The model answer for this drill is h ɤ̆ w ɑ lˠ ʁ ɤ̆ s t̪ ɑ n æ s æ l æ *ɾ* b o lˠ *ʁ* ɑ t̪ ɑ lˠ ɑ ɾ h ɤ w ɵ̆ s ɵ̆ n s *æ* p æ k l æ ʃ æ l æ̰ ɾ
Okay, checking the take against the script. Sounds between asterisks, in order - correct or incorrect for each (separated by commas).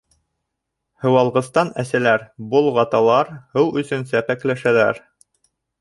correct, correct, correct